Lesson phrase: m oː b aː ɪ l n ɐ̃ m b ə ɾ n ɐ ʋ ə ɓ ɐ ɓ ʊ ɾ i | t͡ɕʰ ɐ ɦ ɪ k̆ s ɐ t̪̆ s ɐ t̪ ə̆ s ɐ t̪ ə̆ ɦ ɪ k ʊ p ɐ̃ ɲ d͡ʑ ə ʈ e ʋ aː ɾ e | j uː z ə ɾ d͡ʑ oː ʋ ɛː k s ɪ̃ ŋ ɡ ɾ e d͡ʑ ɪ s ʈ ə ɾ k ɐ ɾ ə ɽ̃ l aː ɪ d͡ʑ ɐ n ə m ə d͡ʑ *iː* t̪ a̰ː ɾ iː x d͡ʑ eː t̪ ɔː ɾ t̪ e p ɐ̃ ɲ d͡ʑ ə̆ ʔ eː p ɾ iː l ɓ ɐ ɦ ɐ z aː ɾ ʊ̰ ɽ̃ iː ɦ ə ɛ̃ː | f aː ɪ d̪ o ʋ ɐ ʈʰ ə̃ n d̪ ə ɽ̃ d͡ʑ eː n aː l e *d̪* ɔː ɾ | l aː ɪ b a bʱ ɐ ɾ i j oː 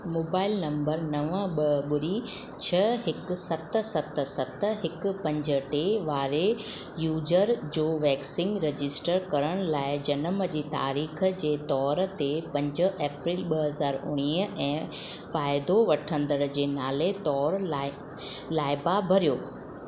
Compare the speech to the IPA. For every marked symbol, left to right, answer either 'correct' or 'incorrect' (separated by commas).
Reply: correct, incorrect